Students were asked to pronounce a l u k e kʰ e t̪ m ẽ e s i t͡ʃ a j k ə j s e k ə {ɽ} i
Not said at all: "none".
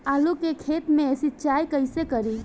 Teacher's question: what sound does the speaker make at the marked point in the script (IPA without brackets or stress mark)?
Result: ɾ